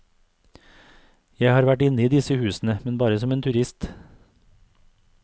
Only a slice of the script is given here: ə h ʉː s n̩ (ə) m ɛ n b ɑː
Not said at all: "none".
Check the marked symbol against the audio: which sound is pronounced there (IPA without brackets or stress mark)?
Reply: ə